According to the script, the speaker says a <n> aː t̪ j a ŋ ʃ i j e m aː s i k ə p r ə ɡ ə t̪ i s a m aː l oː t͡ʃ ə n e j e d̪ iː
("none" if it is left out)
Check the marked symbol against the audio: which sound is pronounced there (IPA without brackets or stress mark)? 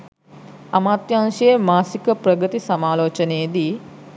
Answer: m